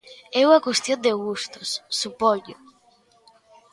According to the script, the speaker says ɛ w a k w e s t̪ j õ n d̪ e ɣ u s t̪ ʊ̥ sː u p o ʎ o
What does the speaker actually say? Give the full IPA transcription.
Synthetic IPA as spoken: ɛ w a k w e s t̪ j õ n d̪ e ɣ u s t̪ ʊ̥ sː u p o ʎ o